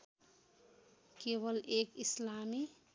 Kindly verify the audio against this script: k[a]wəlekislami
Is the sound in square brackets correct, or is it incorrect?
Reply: incorrect